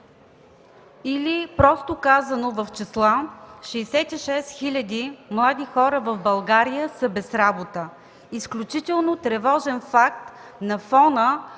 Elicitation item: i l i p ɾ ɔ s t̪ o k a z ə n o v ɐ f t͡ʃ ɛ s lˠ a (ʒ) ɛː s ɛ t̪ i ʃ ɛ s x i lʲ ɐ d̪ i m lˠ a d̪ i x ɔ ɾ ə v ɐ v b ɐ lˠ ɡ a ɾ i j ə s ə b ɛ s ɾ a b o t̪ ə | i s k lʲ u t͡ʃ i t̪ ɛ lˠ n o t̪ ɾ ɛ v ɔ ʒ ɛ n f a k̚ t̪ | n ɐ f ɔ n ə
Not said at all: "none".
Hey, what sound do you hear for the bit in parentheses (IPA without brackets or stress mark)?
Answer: ʃ